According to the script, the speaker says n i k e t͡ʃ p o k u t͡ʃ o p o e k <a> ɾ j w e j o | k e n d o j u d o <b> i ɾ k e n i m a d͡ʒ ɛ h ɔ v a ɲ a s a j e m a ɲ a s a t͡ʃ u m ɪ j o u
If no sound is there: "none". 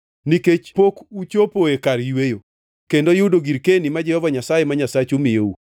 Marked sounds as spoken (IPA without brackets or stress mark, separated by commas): a, ɡ